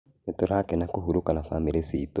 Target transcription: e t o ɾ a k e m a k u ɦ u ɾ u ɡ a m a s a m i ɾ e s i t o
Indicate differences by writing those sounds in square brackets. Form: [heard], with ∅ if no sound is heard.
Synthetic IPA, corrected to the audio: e t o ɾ a k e [n] a k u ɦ u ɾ u [k] a [n] a [f] a m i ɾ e s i t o